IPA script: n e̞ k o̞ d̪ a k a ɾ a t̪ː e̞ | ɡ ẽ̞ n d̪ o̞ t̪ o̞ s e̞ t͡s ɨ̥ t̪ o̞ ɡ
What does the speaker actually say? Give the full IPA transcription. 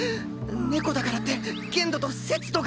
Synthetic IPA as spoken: n e̞ k o̞ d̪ a k a ɾ a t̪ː e̞ | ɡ ẽ̞ n d̪ o̞ t̪ o̞ s e̞ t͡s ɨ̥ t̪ o̞ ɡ